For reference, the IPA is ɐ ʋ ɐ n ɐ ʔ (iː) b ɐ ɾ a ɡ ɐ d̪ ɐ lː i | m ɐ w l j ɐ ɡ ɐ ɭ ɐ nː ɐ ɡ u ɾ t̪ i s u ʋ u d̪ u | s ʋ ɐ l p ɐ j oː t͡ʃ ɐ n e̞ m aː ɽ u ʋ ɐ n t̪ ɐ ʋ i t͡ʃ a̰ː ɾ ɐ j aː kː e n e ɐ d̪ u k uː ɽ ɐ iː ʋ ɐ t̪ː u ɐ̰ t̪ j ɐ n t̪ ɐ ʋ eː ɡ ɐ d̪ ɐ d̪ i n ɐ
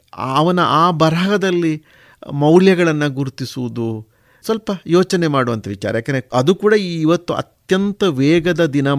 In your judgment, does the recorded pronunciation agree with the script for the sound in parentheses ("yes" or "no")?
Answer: no